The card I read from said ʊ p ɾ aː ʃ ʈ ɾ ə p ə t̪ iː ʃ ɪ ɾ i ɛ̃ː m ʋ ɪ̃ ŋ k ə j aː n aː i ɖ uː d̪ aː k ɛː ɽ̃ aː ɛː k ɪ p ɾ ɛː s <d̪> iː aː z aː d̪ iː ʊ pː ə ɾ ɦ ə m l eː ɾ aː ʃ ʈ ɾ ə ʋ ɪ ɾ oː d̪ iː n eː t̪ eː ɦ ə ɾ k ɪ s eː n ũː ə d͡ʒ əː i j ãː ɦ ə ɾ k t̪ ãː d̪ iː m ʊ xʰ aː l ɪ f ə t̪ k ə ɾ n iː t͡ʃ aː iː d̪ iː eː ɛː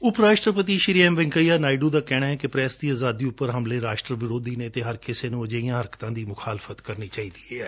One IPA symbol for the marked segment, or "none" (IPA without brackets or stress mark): d̪